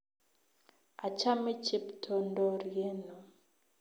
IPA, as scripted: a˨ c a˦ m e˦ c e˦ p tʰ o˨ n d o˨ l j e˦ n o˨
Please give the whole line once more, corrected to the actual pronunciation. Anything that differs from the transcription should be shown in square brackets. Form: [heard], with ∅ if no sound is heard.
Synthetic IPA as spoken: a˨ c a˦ m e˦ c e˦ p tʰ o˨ n d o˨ [ɾ] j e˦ n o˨